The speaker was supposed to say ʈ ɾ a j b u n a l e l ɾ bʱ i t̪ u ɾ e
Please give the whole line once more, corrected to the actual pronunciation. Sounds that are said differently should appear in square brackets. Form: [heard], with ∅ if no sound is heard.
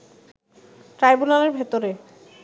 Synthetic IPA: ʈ ɾ a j b u n a l e [∅] ɾ bʱ [e] t̪ [o] ɾ e